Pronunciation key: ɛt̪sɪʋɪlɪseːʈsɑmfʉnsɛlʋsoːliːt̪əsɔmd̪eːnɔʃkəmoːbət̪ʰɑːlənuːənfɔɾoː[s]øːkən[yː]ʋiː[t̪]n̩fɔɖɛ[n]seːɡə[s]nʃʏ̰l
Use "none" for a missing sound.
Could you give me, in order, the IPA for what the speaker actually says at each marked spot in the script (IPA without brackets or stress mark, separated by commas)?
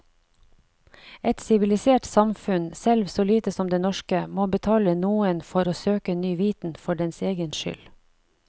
s, yː, t̪, n, none